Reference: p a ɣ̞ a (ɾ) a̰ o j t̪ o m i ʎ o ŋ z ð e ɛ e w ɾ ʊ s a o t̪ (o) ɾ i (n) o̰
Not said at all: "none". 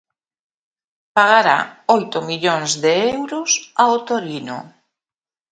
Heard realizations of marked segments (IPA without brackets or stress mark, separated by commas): ɾ, o, n